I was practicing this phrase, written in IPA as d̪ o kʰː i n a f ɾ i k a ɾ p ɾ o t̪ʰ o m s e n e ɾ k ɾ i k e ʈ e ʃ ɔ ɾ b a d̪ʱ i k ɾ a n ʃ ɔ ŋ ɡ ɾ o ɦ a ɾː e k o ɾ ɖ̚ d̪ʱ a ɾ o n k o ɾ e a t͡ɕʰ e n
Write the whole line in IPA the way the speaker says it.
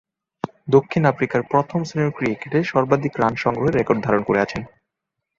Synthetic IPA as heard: d̪ o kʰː i n a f ɾ i k a ɾ p ɾ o t̪ʰ o m s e n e ɾ k ɾ i k e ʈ e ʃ ɔ ɾ b a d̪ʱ i k ɾ a n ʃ ɔ ŋ ɡ ɾ o ɦ e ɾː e k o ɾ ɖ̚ d̪ʱ a ɾ o n k o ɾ e a t͡ɕʰ e n